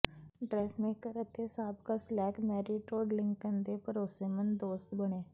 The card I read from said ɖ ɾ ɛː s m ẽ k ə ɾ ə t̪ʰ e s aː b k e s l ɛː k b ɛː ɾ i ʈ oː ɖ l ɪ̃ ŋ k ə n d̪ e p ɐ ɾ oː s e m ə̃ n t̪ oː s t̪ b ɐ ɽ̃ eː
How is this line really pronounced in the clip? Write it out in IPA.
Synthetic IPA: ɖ ɾ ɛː s m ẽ k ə ɾ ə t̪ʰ e s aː b k a s l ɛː k m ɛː ɾ i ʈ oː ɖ l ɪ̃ ŋ k ə n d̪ e p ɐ ɾ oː s e m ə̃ n d̪ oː s t̪ b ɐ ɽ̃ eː